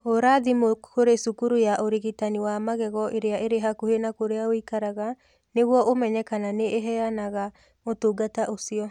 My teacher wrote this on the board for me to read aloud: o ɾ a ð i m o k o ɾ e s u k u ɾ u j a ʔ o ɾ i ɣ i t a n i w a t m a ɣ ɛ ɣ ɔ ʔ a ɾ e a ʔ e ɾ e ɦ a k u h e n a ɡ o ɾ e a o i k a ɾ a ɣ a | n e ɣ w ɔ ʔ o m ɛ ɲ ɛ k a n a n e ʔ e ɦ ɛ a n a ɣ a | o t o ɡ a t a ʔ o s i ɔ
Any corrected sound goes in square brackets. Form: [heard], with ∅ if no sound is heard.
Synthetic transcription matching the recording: o ɾ a ð i m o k o ɾ e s u k u ɾ u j a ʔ o ɾ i ɣ i t a n i w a [∅] m a ɣ ɛ ɣ ɔ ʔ [e] ɾ e a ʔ e ɾ e ɦ a k u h e n a [k] o ɾ e a o i k a ɾ a ɣ a | n e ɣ w ɔ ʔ o m ɛ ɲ ɛ k a n a n e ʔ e ɦ ɛ a n a ɣ a | o t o ɡ a t a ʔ o s i ɔ